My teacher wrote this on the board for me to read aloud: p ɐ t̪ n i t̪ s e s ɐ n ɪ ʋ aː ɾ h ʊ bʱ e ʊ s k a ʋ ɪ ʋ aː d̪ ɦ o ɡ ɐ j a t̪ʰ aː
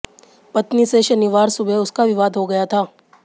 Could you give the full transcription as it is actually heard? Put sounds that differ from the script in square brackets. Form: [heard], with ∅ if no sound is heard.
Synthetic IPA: p ɐ t̪ n i [∅] s e [ʃ] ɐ n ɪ ʋ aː ɾ [s] ʊ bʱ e ʊ s k a ʋ ɪ ʋ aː d̪ ɦ o ɡ ɐ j a t̪ʰ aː